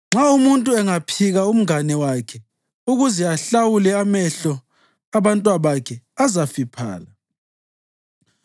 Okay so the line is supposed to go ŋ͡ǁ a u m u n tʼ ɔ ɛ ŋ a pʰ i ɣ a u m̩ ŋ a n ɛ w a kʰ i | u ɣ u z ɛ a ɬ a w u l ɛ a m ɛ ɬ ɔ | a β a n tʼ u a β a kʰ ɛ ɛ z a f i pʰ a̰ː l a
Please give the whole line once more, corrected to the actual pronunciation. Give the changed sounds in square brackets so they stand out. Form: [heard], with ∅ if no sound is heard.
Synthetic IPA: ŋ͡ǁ a u m u n tʼ [u] ɛ ŋ a pʰ i ɣ a u m̩ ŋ a n ɛ w a kʰ [ɛ] | u ɣ u z ɛ a ɬ a w u l ɛ a m ɛ ɬ ɔ | a β a n tʼ [w] a β a kʰ ɛ [a] z a f i pʰ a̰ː l a